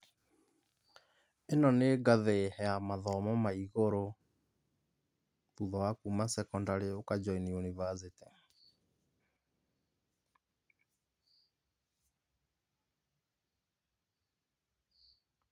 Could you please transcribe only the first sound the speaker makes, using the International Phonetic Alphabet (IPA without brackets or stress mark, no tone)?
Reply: e